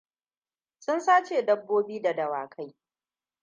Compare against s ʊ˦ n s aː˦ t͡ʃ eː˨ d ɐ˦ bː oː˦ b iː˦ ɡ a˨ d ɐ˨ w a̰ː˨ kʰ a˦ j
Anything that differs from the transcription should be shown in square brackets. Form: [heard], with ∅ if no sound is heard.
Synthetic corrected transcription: s ʊ˦ n s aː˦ t͡ʃ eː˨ d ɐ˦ bː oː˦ b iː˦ [d] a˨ d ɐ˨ w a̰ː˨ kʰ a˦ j